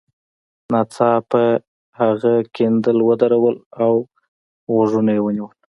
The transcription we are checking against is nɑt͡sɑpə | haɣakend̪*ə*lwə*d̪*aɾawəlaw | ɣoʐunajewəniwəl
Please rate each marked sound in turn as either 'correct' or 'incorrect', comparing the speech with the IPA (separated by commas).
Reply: correct, correct